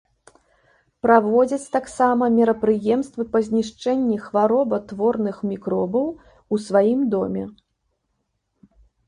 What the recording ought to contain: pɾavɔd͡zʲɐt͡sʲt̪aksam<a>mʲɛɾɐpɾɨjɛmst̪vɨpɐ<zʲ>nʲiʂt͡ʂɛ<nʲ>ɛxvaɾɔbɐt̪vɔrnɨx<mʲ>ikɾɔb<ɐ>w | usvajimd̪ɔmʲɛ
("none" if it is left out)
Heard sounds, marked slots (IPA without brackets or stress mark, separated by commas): ɐ, zʲ, nʲː, mʲ, ɐ